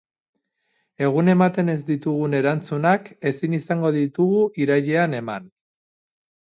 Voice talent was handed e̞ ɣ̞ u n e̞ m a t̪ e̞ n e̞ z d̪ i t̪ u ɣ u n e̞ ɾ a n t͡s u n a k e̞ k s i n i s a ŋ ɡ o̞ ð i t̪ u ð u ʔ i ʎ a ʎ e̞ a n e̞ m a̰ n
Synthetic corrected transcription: e̞ ɣ̞ u n e̞ m a t̪ e̞ n e̞ z d̪ i t̪ u ɣ u n e̞ ɾ a n t͡s u n a k e̞ s i n i s a ŋ ɡ o̞ ð i t̪ u ɣ u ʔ i ɾ a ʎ e̞ a n e̞ m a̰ n